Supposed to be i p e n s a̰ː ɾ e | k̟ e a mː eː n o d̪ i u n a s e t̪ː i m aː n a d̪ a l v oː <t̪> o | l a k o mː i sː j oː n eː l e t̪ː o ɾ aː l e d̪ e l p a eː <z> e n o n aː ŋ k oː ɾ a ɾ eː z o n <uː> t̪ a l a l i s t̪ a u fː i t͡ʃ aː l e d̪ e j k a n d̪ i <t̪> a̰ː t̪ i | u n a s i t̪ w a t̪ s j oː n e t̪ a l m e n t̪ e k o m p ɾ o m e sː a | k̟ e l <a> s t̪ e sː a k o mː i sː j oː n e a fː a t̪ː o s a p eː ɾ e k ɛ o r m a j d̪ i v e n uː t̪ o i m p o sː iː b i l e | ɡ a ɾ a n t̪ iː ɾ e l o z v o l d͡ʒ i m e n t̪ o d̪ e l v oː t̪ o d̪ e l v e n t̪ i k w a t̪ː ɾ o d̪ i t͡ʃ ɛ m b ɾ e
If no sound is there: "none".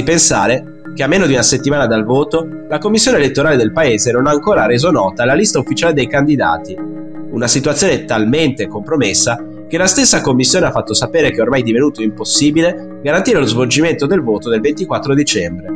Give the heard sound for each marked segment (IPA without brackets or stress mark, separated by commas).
t̪, z, ɔː, d̪, a